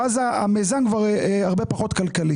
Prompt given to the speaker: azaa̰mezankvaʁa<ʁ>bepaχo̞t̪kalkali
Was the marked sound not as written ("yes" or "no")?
no